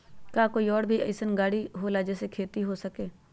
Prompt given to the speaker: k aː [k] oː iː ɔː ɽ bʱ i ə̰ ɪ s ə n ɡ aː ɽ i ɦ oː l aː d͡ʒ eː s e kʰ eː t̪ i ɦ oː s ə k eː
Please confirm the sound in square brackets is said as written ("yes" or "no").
yes